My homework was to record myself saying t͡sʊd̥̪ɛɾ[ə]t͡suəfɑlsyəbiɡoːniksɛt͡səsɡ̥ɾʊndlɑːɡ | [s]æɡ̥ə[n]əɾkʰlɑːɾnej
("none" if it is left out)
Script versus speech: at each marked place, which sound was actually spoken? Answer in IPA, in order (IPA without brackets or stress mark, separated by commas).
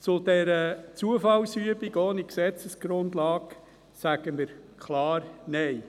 ə, s, m